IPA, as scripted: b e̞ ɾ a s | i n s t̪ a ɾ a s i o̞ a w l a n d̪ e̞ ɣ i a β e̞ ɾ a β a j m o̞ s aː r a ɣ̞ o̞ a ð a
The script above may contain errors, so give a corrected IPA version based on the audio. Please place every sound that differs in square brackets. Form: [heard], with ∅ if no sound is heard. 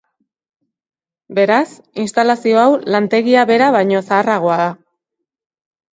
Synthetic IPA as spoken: b e̞ ɾ a s | i n s t̪ a [l] a s i o̞ a w l a n [t̪] e̞ ɣ i a β e̞ ɾ a β a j [ɲ] o̞ s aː r a ɣ̞ o̞ a ð a

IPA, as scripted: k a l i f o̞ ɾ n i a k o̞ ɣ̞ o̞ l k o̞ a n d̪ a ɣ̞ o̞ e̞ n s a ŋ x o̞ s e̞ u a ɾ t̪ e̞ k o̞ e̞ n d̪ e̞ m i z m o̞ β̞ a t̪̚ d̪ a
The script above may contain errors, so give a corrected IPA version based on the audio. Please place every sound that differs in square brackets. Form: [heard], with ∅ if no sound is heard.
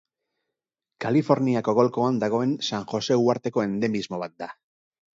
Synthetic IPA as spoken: k a l i f o̞ ɾ n i a k o̞ ɣ̞ o̞ l k o̞ a n d̪ a ɣ̞ o̞ e̞ n s a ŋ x o̞ s e̞ u a ɾ t̪ e̞ k o̞ e̞ n d̪ e̞ m i z m o̞ β̞ a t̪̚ d̪ a

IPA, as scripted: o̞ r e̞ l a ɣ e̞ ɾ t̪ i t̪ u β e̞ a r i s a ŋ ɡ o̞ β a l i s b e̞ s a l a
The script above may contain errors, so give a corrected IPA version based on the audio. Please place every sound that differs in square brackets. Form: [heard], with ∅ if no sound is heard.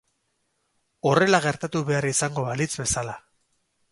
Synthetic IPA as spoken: o̞ r e̞ l a ɣ e̞ ɾ t̪ [a] t̪ u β e̞ a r i s a ŋ ɡ o̞ β a l i [t͡s] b e̞ s a l a

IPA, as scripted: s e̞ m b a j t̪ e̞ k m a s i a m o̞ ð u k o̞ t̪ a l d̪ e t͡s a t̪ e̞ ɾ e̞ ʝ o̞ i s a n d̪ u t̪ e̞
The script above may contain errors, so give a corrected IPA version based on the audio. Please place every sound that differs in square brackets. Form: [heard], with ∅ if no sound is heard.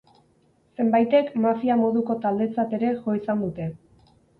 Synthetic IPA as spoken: s e̞ m b a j t̪ e̞ k m a [f] i a m o̞ ð u k o̞ t̪ a l d̪ e t͡s a t̪ e̞ ɾ e̞ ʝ o̞ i s a n d̪ u t̪ e̞

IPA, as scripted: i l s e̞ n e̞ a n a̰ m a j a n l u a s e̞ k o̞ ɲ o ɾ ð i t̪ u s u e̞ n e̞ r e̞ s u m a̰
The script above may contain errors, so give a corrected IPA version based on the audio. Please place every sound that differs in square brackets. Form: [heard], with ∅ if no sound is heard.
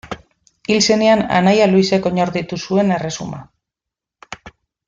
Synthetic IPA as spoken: i l s e̞ n e̞ a n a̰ [n] a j a [∅] l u [i] s e̞ k o̞ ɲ o ɾ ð i t̪ u s u e̞ n e̞ r e̞ s u m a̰

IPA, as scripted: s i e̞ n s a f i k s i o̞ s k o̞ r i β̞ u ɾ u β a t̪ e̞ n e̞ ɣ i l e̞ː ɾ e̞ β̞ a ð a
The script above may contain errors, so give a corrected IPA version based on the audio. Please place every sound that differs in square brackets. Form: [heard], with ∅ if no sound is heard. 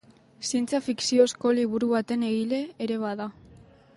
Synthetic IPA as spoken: s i e̞ n [t͡s] a f i k s i o̞ s k o̞ [l] i β̞ u ɾ u β a t̪ e̞ n e̞ ɣ i l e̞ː ɾ e̞ β̞ a ð a

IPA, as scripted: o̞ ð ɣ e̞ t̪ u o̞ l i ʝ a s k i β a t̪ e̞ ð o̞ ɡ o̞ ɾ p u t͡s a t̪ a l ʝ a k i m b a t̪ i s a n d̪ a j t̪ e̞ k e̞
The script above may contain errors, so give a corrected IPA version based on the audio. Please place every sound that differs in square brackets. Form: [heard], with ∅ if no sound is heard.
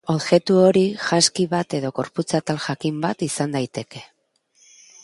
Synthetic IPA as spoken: o̞ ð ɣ e̞ t̪ u o̞ [ɾ] i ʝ a s k i β a t̪ e̞ ð o̞ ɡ o̞ ɾ p u t͡s a t̪ a l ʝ a k i m b a t̪ i s a n d̪ a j t̪ e̞ k e̞

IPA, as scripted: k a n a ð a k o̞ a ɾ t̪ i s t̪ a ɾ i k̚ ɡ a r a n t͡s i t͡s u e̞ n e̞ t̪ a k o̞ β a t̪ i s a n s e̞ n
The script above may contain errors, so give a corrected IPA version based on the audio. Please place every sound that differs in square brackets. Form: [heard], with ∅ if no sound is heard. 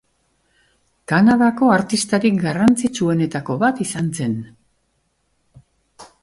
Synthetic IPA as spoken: k a n a ð a k o̞ a ɾ t̪ i s t̪ a ɾ i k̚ ɡ a r a n t͡s i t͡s u e̞ n e̞ t̪ a k o̞ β a t̪ i s a n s e̞ n

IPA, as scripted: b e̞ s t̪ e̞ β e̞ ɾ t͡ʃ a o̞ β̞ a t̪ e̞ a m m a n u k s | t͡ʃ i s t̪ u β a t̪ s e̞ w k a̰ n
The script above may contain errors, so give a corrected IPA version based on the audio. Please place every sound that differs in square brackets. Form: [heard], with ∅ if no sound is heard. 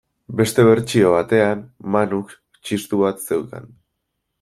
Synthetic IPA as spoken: b e̞ s t̪ e̞ β e̞ ɾ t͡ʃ [i] o̞ β̞ a t̪ e̞ a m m a n u k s | t͡ʃ i s t̪ u β a t̪ s e̞ w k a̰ n

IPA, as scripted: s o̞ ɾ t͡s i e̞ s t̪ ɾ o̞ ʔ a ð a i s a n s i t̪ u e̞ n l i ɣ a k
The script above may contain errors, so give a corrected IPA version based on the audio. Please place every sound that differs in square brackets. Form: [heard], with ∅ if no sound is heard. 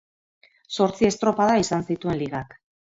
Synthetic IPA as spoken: s o̞ ɾ t͡s i e̞ s t̪ ɾ o̞ [p] a ð a i s a n s i t̪ u e̞ n l i ɣ a k

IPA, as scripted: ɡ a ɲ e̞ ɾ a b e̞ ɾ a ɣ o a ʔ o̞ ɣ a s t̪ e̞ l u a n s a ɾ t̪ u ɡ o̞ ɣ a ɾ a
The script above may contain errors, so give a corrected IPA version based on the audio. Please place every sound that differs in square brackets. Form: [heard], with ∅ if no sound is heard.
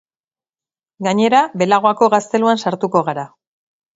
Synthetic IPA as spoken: ɡ a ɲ e̞ ɾ a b e̞ [l] a ɣ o a [k] o̞ ɣ a s t̪ e̞ l u a n s a ɾ t̪ u [k] o̞ ɣ a ɾ a

